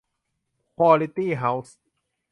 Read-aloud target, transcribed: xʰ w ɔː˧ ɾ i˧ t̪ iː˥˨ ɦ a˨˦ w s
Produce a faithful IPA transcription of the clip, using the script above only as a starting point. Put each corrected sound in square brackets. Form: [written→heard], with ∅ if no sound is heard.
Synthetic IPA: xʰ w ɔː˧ [ɾ→l] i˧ t̪ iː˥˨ ɦ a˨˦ w s

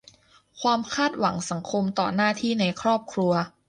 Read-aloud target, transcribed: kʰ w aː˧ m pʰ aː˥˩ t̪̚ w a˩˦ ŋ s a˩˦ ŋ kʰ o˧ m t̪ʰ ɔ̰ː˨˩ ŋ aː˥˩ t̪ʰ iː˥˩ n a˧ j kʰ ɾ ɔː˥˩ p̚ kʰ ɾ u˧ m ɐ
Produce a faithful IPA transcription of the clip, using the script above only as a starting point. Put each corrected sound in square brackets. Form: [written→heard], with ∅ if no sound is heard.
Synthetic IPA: kʰ w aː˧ m [pʰ→kʰ] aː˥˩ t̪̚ w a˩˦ ŋ s a˩˦ ŋ kʰ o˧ m [t̪ʰ→t̪] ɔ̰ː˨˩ [ŋ→n] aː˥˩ t̪ʰ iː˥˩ n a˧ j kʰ ɾ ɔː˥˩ p̚ kʰ ɾ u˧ [m→∅] ɐ

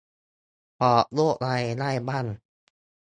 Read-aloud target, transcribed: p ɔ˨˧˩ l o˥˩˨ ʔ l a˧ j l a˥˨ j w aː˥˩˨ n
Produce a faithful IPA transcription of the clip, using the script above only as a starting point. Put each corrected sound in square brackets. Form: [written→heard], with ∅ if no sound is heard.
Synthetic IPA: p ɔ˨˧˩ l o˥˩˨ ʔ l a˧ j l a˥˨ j [w→b] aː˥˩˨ n

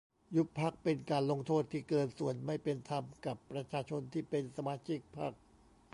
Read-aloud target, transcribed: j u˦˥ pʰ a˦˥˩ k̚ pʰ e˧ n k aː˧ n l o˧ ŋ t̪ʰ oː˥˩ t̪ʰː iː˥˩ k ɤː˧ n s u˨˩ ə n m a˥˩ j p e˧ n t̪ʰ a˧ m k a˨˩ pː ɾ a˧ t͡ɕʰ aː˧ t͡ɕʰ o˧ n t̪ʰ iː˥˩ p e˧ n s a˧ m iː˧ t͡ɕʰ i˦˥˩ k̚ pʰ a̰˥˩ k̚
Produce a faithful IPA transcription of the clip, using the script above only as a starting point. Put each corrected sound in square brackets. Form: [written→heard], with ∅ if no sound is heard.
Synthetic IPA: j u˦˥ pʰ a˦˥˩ k̚ [pʰ→p] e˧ n k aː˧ n l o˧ ŋ t̪ʰ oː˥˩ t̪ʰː iː˥˩ k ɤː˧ n s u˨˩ ə n m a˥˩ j p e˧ n t̪ʰ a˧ m k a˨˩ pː ɾ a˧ t͡ɕʰ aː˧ t͡ɕʰ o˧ n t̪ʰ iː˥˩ p e˧ n s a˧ m [iː˧→aː˧] t͡ɕʰ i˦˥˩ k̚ pʰ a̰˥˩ k̚

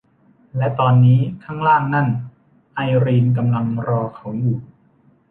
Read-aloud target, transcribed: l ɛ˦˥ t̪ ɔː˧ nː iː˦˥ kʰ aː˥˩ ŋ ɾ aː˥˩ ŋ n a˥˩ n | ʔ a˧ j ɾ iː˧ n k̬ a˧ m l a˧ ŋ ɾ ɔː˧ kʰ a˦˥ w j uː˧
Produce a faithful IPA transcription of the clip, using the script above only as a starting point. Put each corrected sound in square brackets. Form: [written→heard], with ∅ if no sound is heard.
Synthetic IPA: l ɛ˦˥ t̪ ɔː˧ nː iː˦˥ kʰ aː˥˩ ŋ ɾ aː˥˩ ŋ n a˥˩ n | ʔ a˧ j ɾ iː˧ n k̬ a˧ m l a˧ ŋ ɾ ɔː˧ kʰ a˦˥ w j [uː˧→uː˨˩]

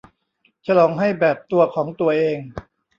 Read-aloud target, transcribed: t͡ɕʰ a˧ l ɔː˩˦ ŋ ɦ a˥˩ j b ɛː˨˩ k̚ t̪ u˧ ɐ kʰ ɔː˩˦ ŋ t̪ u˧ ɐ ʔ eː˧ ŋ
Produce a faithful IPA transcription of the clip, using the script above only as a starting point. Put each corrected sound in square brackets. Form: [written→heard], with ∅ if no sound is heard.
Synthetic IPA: t͡ɕʰ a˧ l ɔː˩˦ ŋ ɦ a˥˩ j b ɛː˨˩ [k̚→p̚] t̪ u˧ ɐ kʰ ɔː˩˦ ŋ t̪ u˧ ɐ ʔ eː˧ ŋ

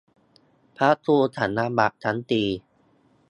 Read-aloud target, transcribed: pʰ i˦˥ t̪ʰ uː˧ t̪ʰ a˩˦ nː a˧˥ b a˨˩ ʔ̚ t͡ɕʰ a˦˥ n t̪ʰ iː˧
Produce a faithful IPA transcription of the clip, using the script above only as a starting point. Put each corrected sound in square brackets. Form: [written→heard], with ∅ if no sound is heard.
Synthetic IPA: pʰ [i˦˥→a˦˥] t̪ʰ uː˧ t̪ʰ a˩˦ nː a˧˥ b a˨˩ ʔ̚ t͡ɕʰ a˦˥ n [t̪ʰ→t̪] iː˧

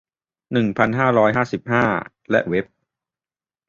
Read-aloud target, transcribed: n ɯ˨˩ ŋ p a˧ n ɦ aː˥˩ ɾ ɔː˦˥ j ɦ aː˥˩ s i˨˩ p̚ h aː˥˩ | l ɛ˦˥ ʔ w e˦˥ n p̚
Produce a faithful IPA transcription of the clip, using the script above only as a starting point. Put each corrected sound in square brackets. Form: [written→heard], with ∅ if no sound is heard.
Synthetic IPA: n ɯ˨˩ ŋ [p→pʰ] a˧ n ɦ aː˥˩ ɾ ɔː˦˥ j ɦ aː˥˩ s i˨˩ p̚ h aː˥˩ | l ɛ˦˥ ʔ w e˦˥ [n→∅] p̚

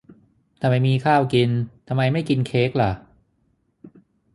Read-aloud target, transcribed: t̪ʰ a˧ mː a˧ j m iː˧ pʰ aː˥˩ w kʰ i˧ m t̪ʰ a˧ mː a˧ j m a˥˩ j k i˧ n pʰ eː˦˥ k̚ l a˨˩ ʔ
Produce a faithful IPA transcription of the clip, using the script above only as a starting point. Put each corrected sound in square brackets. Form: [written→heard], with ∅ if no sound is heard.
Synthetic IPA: t̪ʰ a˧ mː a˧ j m iː˧ [pʰ→kʰ] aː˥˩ w [kʰ→k] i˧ [m→n] t̪ʰ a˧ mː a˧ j m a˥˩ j k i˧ n [pʰ→kʰ] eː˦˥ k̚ l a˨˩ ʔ

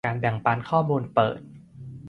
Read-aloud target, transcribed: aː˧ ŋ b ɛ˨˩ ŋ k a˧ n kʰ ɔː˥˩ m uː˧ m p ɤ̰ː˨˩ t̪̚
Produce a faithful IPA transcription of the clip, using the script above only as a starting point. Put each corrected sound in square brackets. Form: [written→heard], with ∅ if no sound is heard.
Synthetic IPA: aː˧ [ŋ→n] b ɛ˨˩ ŋ [k→p] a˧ n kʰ ɔː˥˩ m uː˧ [m→n] p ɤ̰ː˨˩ t̪̚

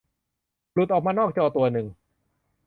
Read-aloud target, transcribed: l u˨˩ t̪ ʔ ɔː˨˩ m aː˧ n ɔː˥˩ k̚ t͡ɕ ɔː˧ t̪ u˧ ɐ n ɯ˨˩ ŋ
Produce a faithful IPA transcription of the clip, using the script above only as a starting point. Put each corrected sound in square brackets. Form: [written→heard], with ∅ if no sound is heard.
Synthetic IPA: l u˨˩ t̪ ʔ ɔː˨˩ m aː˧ n ɔː˥˩ k̚ t͡ɕ ɔː˧ t̪ u˧ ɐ n ɯ˨˩ ŋ

